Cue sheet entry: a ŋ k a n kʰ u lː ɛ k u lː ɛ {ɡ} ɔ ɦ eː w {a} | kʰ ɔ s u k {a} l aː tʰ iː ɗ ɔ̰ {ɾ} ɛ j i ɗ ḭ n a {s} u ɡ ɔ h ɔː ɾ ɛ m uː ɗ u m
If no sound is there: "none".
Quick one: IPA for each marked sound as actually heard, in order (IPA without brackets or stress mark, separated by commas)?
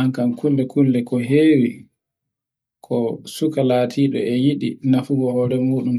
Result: k, i, a, none, f